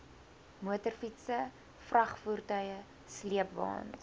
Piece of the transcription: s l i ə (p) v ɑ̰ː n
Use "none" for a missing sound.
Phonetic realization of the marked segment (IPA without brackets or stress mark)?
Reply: p